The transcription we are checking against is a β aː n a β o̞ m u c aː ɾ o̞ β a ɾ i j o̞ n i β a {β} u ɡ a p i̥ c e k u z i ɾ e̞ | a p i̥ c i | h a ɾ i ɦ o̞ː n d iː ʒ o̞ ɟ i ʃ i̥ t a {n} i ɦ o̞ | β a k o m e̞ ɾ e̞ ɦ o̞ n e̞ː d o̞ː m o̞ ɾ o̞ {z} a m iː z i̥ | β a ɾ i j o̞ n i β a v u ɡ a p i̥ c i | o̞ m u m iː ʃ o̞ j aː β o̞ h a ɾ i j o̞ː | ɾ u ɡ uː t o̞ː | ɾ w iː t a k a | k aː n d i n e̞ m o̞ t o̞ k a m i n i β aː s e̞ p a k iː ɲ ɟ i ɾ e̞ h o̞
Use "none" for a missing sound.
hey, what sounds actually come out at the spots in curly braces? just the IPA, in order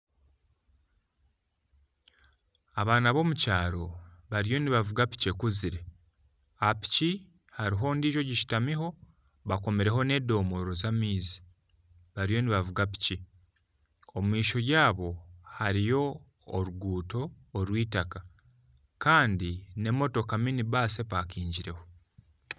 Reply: v, m, z

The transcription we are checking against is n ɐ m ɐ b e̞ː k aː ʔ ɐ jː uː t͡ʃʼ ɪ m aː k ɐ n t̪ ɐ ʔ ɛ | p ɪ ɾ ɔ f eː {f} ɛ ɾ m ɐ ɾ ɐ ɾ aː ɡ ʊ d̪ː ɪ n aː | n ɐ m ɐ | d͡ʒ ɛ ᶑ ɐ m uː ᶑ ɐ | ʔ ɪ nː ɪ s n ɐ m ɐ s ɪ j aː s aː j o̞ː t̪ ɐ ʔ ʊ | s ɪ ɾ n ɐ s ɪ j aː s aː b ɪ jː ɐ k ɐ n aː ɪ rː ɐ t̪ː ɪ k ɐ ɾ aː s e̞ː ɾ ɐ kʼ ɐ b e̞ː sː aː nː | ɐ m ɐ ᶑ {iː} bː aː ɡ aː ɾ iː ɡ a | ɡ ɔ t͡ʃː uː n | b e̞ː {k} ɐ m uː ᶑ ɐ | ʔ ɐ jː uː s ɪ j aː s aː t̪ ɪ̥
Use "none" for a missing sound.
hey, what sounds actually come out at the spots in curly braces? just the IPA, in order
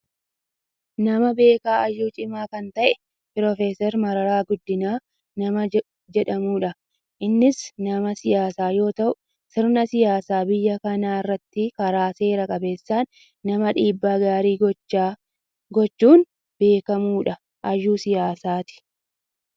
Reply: s, iː, k

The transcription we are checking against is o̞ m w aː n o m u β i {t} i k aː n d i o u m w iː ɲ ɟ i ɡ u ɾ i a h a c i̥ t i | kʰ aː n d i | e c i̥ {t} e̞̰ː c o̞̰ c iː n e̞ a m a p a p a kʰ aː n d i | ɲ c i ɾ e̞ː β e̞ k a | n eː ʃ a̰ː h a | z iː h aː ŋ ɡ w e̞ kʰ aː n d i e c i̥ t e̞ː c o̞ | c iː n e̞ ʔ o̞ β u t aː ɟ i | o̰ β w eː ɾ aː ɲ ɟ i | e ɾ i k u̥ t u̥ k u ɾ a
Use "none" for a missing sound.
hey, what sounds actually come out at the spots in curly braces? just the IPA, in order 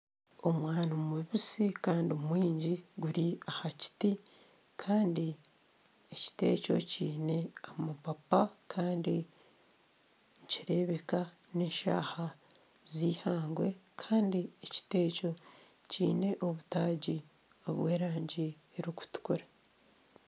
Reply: s, t

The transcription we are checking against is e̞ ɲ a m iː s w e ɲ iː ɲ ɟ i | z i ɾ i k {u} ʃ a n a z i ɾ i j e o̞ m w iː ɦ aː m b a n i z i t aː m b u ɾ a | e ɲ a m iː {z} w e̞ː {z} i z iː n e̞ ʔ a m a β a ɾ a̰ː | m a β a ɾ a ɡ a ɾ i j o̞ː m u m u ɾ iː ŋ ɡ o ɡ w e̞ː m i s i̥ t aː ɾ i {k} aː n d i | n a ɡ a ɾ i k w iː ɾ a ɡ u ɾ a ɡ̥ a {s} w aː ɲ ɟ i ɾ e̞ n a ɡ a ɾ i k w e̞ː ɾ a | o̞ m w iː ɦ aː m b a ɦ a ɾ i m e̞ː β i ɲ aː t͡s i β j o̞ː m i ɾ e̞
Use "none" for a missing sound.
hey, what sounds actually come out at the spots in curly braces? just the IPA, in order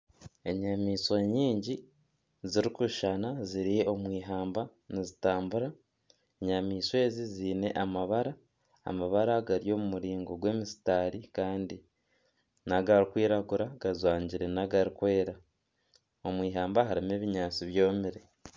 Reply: u, s, z, k, z

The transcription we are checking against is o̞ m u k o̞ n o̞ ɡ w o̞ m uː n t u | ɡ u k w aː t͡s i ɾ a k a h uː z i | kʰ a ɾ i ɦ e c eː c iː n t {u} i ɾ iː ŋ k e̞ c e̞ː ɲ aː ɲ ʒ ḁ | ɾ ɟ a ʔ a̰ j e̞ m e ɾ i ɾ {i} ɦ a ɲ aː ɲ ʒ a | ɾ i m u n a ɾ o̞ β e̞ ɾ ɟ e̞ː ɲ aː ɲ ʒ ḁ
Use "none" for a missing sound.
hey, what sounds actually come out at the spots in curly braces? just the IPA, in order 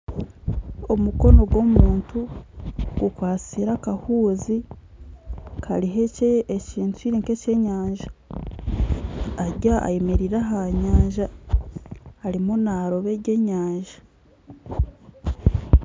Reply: u, a

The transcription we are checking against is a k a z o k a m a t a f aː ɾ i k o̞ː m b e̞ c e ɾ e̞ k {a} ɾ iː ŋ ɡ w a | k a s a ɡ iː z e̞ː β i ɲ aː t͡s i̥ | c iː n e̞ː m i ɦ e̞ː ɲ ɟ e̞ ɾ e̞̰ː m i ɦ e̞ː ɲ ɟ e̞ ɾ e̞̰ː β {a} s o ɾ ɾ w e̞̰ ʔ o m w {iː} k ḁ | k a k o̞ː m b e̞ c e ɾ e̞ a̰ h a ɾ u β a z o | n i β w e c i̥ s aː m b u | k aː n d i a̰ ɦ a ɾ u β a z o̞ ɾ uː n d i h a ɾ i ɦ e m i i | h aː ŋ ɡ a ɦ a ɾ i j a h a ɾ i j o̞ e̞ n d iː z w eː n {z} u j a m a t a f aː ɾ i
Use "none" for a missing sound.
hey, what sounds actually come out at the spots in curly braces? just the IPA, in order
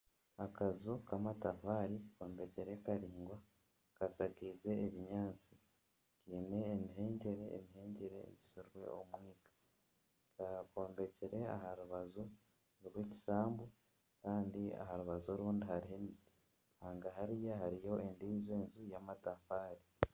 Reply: a, i, iː, z

